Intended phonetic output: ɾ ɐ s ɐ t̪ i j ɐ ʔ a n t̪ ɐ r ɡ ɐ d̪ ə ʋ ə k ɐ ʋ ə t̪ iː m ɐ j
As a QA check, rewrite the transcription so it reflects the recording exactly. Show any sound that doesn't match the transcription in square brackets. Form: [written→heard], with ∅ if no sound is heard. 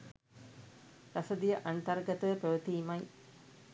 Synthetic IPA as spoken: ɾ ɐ s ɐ [t̪→d̪] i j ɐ ʔ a n t̪ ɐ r ɡ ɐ [d̪→t̪] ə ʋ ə [k→p] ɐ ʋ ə t̪ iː m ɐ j